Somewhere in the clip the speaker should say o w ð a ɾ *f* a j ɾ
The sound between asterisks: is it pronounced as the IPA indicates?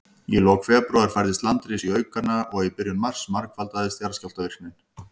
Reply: yes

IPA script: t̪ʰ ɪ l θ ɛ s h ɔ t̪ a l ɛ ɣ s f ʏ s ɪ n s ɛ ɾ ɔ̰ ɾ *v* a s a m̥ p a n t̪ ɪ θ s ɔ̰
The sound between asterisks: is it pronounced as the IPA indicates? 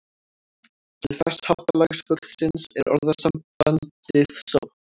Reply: no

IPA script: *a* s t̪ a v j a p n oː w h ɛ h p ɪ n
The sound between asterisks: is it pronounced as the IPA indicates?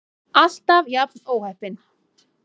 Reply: yes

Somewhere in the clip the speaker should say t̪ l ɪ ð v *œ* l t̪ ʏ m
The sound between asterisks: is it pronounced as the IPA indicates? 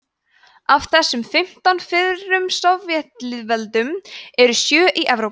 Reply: no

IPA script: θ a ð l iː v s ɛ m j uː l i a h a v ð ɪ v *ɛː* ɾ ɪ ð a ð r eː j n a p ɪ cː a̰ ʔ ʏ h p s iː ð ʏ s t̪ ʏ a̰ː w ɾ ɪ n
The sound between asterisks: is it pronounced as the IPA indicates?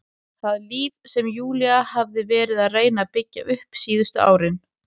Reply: yes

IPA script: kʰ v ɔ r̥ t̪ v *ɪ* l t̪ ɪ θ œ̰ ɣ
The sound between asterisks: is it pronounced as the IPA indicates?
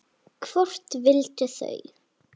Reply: yes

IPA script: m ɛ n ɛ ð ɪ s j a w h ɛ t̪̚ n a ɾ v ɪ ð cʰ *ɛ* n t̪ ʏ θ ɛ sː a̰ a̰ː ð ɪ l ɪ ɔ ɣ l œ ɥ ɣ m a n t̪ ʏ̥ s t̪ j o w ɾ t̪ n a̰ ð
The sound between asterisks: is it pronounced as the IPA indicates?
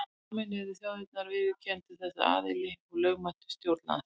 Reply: yes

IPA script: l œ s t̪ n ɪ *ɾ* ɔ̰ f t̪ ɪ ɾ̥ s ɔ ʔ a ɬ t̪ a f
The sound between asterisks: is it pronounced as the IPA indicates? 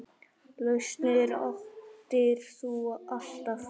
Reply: yes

